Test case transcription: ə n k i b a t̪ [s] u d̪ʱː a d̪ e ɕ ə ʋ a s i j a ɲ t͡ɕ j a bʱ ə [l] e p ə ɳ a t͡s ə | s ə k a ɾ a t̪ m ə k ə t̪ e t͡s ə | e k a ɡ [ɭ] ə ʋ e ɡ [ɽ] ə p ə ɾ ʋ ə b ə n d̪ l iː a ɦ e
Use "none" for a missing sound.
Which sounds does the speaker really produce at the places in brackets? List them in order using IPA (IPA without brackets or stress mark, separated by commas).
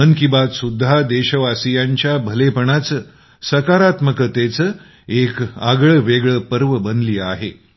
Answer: s, l, ɭ, ɭ